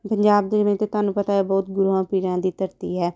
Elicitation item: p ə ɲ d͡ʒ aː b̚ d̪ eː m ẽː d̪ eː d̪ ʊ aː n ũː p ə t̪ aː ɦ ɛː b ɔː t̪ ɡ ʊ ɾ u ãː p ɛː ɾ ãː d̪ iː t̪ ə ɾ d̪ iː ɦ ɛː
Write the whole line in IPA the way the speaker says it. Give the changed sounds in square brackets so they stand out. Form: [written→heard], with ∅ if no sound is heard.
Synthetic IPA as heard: p ə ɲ d͡ʒ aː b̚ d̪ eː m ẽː [d̪→t̪] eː [d̪→t̪] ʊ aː n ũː p ə t̪ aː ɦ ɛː b ɔː t̪ ɡ ʊ ɾ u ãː p [ɛː→iː] ɾ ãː d̪ iː t̪ ə ɾ [d̪→t̪] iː ɦ ɛː